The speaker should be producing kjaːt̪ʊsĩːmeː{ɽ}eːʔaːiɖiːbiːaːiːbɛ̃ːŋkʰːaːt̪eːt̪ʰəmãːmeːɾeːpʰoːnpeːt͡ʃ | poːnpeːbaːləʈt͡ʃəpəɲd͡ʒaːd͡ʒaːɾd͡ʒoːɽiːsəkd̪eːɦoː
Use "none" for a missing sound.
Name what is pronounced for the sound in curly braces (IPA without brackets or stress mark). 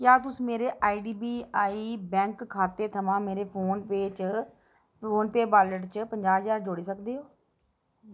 ɾ